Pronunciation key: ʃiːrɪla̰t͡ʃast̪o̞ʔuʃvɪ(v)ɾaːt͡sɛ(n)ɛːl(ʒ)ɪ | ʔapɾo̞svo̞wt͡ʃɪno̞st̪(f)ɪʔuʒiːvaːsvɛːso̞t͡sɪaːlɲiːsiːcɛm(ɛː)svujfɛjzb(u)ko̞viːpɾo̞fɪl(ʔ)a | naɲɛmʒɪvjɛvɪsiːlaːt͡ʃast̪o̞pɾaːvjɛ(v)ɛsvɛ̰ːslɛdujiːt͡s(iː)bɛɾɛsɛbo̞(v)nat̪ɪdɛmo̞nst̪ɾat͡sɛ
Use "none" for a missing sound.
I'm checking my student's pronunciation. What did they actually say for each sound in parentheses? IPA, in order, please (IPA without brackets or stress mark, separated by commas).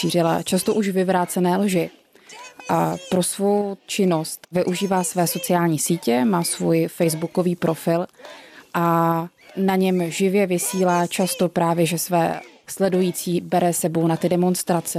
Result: v, n, ʒ, v, aː, u, ʔ, ʒ, iː, w